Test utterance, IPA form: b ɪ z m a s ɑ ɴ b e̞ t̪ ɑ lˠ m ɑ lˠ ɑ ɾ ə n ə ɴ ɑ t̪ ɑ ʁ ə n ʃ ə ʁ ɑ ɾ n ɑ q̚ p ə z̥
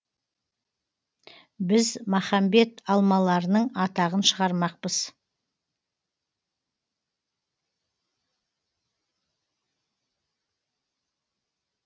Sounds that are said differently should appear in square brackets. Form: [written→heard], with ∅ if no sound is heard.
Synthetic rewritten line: b ɪ z m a [s→χ] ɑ [ɴ→m] b e̞ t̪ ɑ lˠ m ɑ lˠ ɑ ɾ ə n ə ɴ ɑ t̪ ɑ ʁ ə n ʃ ə ʁ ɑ ɾ [n→m] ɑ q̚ p ə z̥